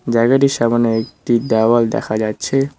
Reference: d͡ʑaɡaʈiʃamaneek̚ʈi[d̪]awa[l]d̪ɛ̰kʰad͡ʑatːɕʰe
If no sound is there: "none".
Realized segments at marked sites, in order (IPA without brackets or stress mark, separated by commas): d̪, l